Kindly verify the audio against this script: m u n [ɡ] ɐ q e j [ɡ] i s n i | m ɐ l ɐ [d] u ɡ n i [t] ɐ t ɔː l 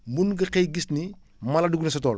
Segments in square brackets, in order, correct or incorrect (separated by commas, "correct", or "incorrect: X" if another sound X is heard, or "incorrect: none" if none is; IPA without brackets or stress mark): correct, correct, correct, incorrect: s